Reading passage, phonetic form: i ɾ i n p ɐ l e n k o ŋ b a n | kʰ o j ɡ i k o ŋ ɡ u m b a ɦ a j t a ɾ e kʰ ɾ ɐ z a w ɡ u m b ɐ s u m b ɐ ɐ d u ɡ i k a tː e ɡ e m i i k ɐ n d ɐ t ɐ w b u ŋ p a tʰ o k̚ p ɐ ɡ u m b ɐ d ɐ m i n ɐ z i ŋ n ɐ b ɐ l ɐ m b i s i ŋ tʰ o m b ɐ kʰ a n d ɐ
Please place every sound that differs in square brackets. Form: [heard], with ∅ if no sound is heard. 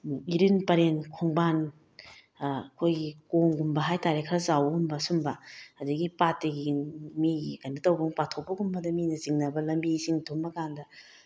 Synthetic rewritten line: i ɾ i n p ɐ [ɾ] e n [kʰ] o ŋ b a n | kʰ o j ɡ i k o ŋ ɡ u m b [ɐ] ɦ a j t a ɾ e kʰ ɾ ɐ z a w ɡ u m b ɐ s u m b ɐ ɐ d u ɡ i [p] a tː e ɡ [i] m i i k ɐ n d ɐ t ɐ w b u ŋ p a tʰ o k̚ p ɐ ɡ u m b ɐ d ɐ m i n ɐ z i ŋ n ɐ b ɐ l ɐ m b i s i ŋ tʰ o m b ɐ [k] a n d ɐ